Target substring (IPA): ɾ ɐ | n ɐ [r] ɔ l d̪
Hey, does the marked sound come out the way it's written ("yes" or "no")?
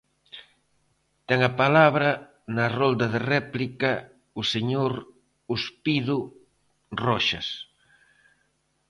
yes